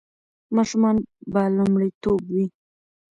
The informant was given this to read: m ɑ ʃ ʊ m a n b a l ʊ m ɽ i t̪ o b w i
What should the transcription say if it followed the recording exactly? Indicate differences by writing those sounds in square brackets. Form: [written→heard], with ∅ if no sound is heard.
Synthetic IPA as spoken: m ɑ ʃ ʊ m [a→ɑ] n b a l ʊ m ɽ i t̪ o b w i